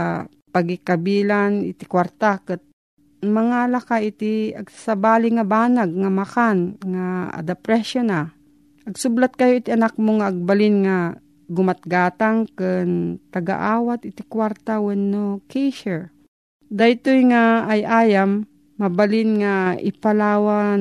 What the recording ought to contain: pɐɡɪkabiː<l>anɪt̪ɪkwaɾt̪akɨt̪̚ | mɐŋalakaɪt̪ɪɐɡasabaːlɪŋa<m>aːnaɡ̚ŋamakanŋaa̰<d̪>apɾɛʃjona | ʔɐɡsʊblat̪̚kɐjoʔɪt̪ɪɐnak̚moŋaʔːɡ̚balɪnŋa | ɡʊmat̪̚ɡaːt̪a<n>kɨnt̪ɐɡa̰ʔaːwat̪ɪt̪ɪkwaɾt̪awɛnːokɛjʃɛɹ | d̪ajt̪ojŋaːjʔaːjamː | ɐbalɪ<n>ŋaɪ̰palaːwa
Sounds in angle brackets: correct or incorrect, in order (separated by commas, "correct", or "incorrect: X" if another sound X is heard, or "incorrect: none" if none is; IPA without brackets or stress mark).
correct, incorrect: b, correct, incorrect: ŋ, correct